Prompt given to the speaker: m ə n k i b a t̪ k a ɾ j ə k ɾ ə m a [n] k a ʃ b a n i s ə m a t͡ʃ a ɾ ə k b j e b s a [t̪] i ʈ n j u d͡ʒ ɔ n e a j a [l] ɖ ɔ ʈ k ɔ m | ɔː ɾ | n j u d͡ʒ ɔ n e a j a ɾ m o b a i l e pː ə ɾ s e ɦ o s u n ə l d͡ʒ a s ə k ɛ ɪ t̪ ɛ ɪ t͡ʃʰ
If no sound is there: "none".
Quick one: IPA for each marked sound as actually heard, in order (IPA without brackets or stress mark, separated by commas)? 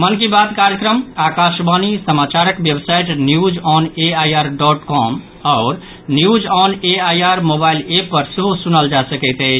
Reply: none, none, ɾ